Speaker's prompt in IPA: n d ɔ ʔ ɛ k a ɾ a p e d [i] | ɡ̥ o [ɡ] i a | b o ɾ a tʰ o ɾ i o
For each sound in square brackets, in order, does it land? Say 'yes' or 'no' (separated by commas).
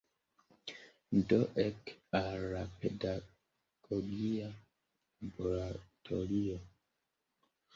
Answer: no, yes